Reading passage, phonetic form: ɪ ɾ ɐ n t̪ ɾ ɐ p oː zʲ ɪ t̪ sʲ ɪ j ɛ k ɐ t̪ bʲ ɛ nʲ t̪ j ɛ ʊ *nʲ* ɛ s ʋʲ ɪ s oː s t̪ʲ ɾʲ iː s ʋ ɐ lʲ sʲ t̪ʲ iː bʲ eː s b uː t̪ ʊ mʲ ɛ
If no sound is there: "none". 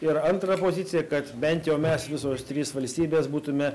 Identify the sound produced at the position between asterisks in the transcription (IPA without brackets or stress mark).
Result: mʲ